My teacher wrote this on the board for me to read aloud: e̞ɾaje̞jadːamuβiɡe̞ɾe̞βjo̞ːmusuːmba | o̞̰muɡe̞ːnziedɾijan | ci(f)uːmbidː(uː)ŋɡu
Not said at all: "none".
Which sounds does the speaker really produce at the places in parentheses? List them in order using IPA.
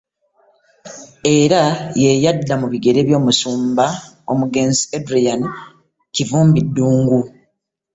v, uː

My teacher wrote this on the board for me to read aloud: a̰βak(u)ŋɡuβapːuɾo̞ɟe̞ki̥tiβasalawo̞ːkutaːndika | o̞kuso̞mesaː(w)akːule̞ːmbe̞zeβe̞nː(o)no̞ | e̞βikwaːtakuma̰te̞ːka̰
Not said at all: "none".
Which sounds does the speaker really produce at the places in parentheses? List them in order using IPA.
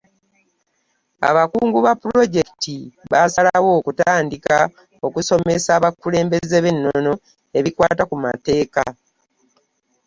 uː, β, o

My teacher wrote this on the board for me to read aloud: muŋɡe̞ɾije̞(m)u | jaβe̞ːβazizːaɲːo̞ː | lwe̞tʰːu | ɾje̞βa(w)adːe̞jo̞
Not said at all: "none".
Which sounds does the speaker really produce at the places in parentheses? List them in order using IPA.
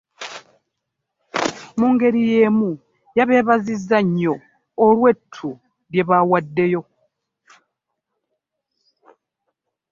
m, w

